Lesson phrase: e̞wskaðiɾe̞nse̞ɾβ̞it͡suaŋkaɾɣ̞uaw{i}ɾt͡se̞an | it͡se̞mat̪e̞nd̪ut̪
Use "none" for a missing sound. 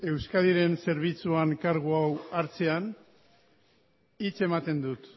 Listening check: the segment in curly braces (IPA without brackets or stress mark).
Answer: a